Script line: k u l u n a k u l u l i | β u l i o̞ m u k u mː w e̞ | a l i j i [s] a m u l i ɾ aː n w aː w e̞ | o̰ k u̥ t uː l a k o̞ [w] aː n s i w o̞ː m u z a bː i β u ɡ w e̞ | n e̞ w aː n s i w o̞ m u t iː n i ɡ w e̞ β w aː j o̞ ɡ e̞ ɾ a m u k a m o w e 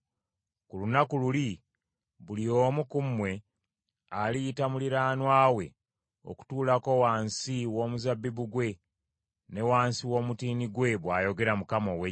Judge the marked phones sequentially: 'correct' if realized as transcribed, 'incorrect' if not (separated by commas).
incorrect, correct